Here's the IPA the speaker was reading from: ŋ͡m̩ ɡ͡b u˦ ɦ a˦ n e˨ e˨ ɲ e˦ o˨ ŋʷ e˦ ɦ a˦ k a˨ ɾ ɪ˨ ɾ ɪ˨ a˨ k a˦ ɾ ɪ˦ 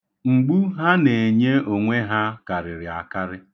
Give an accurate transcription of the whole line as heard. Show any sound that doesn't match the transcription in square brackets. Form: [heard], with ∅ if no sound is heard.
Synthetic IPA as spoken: ŋ͡m̩ ɡ͡b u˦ ɦ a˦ n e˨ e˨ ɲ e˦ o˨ ŋʷ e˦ ɦ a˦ k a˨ ɾ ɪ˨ ɾ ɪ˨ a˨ k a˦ ɾ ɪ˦